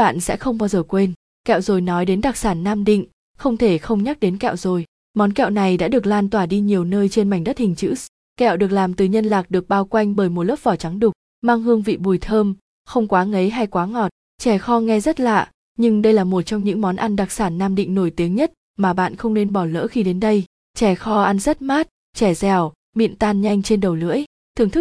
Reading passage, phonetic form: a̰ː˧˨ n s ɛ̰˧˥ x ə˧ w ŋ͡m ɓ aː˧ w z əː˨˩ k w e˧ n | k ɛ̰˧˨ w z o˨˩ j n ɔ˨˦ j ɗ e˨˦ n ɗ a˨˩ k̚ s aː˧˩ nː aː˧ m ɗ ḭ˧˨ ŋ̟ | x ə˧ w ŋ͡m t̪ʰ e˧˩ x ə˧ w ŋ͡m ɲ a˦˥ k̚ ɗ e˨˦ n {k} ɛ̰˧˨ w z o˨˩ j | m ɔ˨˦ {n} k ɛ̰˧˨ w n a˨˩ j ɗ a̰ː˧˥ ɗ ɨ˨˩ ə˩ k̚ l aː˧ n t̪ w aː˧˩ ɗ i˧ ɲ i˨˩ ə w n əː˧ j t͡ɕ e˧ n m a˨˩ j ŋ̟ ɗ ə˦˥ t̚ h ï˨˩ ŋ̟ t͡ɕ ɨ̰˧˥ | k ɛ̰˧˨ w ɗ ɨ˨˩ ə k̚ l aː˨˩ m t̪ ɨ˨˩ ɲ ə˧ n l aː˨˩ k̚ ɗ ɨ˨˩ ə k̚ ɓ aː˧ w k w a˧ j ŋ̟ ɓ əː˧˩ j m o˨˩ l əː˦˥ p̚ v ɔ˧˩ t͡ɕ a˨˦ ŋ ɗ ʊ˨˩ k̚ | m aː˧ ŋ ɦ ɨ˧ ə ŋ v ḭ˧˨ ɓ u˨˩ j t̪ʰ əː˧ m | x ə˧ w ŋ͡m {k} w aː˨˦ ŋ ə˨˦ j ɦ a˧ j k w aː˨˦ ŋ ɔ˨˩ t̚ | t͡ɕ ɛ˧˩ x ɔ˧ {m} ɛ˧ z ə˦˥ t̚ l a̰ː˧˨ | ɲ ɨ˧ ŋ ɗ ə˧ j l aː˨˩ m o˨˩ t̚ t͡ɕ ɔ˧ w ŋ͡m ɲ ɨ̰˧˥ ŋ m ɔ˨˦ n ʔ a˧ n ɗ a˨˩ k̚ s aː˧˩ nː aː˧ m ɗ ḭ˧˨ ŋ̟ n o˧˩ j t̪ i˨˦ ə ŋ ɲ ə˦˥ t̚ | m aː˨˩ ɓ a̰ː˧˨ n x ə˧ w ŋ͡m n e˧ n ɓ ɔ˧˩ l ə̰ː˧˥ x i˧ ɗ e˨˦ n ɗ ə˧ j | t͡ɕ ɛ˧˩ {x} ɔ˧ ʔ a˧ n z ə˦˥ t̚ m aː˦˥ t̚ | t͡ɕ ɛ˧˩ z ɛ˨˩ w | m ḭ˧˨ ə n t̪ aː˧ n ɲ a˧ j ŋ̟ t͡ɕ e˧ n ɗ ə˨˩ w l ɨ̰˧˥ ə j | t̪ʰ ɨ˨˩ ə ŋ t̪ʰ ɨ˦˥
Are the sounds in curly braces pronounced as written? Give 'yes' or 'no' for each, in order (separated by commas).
yes, yes, yes, no, yes